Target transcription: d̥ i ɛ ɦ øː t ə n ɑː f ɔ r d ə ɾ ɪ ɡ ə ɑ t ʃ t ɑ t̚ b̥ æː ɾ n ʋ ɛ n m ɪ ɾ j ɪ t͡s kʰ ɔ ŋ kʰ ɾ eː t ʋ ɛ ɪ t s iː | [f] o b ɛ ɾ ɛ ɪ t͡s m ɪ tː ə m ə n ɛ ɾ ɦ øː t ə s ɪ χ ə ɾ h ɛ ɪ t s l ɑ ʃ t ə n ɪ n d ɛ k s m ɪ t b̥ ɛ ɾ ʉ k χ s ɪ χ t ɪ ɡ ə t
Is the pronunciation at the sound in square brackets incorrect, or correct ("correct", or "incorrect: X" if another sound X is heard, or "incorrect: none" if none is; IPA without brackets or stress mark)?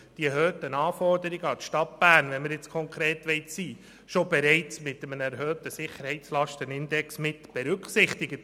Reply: incorrect: ʃ